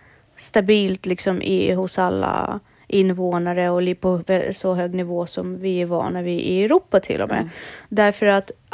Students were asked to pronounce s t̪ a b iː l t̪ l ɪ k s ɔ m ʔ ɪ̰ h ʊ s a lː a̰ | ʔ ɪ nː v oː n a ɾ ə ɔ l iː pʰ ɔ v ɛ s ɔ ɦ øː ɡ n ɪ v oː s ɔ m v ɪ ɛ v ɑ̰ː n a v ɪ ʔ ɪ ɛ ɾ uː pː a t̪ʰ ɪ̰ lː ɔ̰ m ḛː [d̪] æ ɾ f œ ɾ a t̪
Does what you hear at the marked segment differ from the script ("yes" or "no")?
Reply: no